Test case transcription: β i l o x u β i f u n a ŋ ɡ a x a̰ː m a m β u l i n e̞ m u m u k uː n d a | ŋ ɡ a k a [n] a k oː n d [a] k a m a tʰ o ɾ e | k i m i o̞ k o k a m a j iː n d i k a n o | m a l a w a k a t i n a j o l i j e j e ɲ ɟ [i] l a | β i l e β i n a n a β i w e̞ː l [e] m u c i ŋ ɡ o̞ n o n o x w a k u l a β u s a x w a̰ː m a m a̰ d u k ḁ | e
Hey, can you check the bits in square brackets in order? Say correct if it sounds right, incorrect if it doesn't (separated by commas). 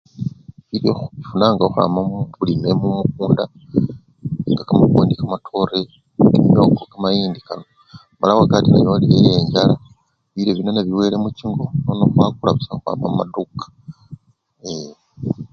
incorrect, incorrect, incorrect, correct